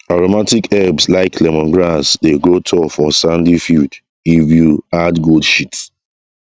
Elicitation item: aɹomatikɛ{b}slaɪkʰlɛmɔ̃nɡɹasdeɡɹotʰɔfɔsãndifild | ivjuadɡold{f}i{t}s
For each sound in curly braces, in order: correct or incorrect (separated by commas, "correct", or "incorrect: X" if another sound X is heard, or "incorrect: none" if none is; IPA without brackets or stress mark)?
correct, incorrect: ʃ, correct